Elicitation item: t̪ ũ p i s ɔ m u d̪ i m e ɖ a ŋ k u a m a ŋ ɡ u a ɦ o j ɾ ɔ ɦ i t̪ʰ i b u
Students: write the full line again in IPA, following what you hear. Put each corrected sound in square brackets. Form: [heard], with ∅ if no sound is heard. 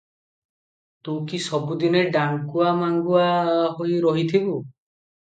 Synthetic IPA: t̪ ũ [k] i s ɔ [b] u d̪ i [n] e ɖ a ŋ k u a m a ŋ ɡ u a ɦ o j ɾ ɔ ɦ i t̪ʰ i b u